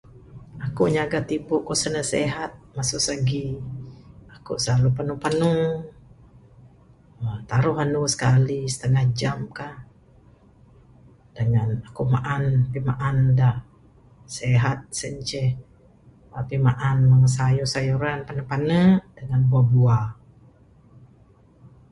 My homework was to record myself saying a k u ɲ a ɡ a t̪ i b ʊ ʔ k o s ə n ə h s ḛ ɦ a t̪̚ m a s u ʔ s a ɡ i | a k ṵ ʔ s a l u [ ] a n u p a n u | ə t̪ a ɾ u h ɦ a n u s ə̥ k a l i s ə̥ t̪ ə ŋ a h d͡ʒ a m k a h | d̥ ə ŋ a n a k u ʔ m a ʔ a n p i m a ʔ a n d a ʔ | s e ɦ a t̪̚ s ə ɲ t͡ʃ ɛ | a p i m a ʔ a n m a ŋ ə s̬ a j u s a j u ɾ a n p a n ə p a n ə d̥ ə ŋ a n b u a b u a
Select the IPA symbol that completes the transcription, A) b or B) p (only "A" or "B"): B